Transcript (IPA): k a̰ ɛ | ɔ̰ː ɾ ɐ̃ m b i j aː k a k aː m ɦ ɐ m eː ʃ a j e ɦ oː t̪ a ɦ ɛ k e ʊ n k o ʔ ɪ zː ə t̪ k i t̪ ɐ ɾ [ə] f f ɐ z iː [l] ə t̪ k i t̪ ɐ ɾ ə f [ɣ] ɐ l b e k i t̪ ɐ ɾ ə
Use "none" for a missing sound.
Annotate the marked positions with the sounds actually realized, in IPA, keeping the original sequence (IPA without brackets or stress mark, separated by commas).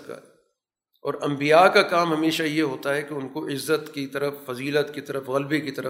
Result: ə, l, ɣ